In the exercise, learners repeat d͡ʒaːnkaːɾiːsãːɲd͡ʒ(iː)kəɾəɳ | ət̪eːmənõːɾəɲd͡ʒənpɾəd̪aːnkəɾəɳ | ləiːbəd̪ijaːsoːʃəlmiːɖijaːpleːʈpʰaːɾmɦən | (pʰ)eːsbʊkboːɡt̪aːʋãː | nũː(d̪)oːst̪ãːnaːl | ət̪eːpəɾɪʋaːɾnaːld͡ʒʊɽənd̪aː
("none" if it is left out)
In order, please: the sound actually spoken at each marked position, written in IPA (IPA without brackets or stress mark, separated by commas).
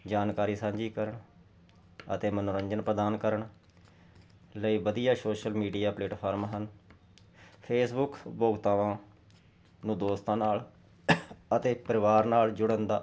iː, pʰ, d̪